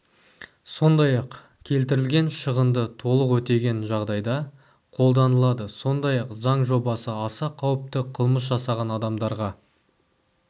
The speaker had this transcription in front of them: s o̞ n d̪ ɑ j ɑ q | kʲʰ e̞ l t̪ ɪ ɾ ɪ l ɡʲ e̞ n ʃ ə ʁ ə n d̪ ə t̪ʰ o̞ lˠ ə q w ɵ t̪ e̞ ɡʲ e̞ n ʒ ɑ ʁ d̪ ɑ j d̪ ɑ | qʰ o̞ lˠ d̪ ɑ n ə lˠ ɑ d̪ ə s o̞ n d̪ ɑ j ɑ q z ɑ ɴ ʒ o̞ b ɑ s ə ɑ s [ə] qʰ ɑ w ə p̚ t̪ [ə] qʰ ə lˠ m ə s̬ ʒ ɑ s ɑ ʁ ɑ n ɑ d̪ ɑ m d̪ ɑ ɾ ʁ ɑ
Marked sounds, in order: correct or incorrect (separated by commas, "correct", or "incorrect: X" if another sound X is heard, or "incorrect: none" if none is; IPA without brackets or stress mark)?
incorrect: ɑ, correct